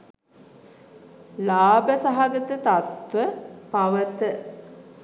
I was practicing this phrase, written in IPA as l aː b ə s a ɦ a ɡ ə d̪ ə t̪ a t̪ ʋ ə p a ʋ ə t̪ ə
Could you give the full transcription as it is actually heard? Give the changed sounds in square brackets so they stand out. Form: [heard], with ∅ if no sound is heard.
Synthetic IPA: l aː b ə s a ɦ a ɡ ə [t̪] ə t̪ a t̪ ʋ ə p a ʋ ə t̪ ə